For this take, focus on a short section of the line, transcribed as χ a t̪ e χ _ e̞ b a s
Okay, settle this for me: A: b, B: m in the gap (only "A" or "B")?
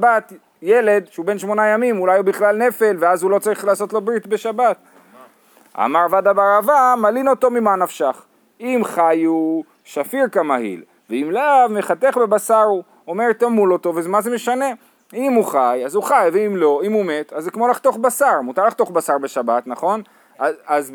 A